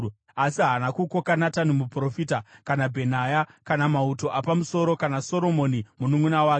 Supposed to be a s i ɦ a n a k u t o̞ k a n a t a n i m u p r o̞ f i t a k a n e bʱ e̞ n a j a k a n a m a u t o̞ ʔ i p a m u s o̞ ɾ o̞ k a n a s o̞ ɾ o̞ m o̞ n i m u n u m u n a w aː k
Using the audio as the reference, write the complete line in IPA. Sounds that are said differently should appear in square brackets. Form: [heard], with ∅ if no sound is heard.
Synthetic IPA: a s i ɦ a n a k u [k] o̞ k a n a t a n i m u p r o̞ f i t a k a n [a] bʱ e̞ n a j a k a n a m a u t o̞ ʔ [a] p a m u s o̞ ɾ o̞ k a n a s o̞ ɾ o̞ m o̞ n i m u n u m u n a w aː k